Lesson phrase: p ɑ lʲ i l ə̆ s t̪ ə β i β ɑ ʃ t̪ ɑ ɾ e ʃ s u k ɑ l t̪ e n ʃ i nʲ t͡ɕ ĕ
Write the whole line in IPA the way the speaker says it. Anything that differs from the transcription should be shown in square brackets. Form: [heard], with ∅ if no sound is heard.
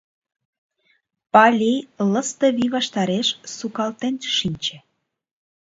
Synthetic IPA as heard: p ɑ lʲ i l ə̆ s t̪ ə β i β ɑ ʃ t̪ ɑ ɾ e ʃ s u k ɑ l t̪ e n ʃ i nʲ t͡ɕ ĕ